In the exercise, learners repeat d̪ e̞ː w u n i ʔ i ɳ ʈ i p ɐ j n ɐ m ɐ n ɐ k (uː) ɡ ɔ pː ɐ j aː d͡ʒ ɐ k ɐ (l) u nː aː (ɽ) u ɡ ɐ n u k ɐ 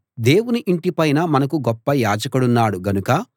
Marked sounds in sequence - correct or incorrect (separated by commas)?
incorrect, incorrect, correct